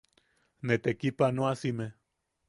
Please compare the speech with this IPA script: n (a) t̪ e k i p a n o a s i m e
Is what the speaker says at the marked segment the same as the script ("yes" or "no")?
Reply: no